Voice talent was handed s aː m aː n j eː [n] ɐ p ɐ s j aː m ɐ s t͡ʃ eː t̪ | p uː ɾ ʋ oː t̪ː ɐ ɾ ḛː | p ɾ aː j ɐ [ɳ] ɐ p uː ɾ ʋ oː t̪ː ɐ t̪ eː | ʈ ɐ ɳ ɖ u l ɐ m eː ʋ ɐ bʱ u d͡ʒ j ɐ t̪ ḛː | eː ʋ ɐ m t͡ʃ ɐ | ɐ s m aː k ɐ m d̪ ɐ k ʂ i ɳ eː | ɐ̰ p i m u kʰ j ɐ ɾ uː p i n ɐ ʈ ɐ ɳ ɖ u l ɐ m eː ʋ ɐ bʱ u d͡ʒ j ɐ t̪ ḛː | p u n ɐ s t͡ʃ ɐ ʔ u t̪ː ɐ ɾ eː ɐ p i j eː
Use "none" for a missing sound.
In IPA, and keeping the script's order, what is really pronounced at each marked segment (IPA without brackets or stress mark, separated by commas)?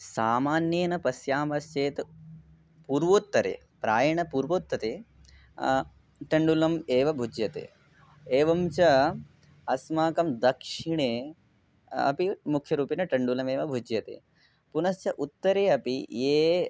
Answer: n, ɳ